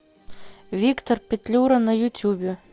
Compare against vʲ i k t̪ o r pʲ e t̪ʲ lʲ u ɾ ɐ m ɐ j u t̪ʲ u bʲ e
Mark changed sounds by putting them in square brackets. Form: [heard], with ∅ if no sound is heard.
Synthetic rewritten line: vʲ i k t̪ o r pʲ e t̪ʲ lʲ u ɾ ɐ [n] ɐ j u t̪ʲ u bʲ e